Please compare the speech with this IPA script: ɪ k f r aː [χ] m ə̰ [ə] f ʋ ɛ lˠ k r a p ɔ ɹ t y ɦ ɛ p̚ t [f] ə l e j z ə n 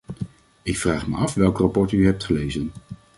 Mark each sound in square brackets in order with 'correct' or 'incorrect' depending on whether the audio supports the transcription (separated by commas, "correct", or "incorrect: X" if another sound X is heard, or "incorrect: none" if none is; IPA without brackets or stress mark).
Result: correct, incorrect: ɑ, incorrect: χ